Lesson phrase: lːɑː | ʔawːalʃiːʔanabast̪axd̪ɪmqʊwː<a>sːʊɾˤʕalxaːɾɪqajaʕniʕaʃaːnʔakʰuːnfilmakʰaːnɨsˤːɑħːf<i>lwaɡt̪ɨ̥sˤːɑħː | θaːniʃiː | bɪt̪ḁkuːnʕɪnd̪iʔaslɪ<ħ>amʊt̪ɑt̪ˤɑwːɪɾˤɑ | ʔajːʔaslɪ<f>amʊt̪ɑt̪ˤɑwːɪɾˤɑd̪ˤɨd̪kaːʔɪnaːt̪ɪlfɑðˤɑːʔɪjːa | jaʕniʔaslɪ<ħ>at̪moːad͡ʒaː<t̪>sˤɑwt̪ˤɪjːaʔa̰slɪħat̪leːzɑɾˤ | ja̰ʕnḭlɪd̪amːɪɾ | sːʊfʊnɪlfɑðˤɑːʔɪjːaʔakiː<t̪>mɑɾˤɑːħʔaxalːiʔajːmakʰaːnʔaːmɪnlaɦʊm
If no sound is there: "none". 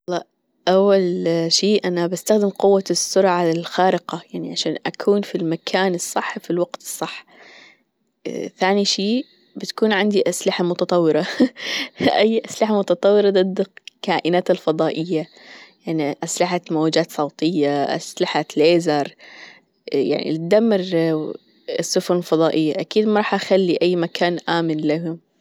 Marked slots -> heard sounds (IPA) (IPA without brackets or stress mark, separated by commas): a, i, ħ, ħ, ħ, t̪, d̪